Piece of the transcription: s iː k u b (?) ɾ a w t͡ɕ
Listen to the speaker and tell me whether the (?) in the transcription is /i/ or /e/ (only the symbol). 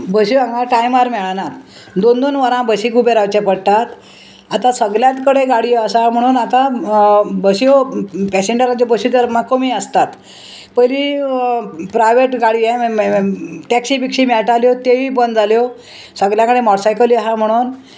e